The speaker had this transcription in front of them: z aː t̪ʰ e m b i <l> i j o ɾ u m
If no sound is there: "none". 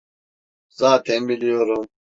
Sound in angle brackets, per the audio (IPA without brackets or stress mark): l